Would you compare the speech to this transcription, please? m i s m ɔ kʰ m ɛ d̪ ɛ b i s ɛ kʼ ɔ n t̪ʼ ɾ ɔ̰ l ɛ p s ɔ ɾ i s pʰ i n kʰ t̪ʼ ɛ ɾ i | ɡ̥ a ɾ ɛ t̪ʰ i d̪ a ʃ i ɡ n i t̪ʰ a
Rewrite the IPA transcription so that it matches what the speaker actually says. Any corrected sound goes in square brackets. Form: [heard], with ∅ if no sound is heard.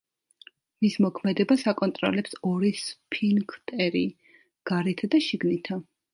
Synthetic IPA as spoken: m i s m ɔ kʰ m ɛ d̪ ɛ b [a] s [a] kʼ ɔ n t̪ʼ ɾ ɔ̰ l ɛ p s ɔ ɾ i s pʰ i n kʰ t̪ʼ ɛ ɾ i | ɡ̥ a ɾ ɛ t̪ʰ [a] d̪ a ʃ i ɡ n i t̪ʰ a